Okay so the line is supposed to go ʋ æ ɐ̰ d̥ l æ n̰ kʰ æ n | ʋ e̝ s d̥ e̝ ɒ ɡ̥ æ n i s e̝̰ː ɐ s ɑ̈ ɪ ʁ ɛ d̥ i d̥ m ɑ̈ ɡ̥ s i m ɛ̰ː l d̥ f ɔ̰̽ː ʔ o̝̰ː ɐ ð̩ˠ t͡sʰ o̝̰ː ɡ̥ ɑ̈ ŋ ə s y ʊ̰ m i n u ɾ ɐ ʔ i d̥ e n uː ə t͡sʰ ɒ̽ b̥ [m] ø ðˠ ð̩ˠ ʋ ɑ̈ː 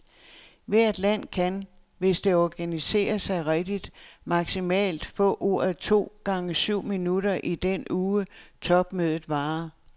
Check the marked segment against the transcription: correct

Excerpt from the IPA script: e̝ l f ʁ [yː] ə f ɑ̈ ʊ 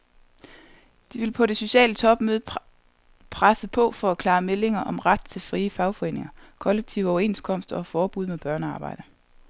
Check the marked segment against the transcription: incorrect: iː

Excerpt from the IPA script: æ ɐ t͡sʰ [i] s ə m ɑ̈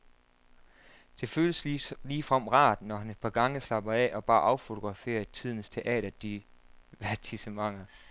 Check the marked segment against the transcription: correct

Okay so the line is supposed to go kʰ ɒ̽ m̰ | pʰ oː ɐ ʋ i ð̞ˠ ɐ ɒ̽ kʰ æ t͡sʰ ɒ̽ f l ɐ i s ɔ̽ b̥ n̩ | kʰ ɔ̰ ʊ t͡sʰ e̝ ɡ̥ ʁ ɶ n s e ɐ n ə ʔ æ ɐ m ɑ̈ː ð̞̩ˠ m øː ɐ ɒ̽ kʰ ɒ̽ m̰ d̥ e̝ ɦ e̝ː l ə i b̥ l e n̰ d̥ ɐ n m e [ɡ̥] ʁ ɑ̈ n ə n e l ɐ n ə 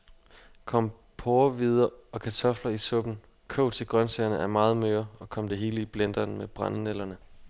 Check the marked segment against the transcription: incorrect: b̥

